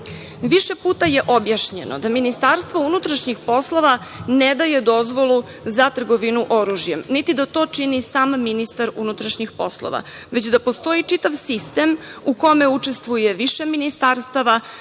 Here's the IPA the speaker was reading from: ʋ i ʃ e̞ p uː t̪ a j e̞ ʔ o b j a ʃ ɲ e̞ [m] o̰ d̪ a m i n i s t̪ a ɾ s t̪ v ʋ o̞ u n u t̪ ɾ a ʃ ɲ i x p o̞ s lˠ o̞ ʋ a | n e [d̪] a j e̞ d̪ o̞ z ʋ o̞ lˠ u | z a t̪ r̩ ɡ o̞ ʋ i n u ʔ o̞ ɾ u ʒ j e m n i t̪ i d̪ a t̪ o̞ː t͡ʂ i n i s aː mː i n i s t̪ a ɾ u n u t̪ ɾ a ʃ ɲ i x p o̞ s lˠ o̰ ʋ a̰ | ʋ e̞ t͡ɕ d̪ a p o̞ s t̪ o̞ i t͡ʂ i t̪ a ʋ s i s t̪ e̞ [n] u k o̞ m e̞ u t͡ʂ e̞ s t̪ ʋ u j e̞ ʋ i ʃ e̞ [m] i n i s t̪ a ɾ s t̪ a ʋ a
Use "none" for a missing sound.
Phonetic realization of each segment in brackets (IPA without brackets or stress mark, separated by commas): n, d̪, m, m